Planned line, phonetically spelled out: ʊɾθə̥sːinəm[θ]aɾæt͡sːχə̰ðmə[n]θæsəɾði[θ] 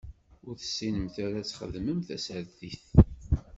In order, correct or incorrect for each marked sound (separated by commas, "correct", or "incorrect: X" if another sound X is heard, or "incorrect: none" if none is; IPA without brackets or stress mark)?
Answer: correct, incorrect: m, correct